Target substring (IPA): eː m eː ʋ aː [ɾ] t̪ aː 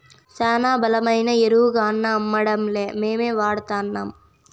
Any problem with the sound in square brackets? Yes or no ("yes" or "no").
yes